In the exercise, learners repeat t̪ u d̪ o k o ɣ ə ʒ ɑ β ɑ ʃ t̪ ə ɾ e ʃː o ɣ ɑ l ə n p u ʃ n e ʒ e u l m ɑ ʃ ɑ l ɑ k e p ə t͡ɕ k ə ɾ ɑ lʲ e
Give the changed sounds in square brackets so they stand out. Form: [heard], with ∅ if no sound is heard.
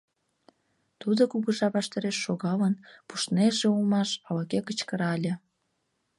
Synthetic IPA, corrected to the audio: t̪ u d̪ o k [u] ɣ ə ʒ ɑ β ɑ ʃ t̪ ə ɾ e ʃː o ɣ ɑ l ə n p u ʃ n e ʒ e u l m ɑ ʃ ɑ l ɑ k e [k] ə t͡ɕ k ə ɾ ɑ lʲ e

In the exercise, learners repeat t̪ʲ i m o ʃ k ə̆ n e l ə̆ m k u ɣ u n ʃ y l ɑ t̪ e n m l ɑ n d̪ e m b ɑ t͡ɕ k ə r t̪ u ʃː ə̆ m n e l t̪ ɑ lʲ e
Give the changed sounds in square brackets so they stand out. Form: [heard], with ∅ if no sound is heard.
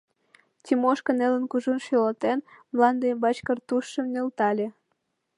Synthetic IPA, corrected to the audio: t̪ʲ i m o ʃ k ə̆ n e l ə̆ [n] k u [ʒ] u n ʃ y l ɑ t̪ e n m l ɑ n d̪ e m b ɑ t͡ɕ k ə r t̪ u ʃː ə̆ m n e l t̪ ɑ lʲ e

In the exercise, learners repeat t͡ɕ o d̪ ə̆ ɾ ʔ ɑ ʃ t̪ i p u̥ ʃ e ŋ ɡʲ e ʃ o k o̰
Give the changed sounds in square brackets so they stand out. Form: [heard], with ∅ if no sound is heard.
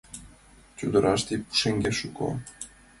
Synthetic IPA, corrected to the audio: t͡ɕ [u] d̪ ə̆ ɾ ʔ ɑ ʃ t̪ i p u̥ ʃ e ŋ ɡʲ e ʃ [u] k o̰

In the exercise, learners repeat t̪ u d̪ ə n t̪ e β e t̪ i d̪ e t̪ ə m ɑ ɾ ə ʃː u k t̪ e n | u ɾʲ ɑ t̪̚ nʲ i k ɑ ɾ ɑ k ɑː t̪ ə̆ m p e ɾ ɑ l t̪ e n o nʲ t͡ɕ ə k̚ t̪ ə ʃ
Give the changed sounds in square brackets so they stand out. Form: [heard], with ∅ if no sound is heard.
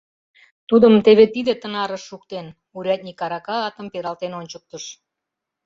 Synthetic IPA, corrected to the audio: t̪ u d̪ ə [m] t̪ e β e t̪ i d̪ e t̪ ə [n] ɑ ɾ ə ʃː u k t̪ e n | u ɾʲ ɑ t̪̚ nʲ i k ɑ ɾ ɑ k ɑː t̪ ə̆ m p e ɾ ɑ l t̪ e n o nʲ t͡ɕ ə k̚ t̪ ə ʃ

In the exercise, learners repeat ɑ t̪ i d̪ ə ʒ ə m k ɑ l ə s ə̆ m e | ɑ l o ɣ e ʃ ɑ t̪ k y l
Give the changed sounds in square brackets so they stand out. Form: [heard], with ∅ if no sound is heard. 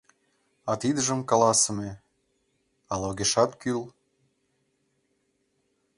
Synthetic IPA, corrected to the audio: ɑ t̪ i d̪ ə ʒ ə m k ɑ l [ɑ] s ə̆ m e | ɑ l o ɣ e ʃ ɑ t̪ k y l

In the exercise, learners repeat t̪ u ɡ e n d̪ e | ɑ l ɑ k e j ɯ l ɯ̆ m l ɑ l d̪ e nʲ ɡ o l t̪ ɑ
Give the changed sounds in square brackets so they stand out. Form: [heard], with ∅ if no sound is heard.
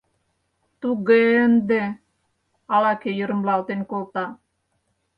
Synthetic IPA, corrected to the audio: t̪ u ɡ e n d̪ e | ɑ l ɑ k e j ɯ [ɾ] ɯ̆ m l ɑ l [t̪] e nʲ [k] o l t̪ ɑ

